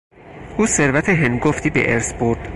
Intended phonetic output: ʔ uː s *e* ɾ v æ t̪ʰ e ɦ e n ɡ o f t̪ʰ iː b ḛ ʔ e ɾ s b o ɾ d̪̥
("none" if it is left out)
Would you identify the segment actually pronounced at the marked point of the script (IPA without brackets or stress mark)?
e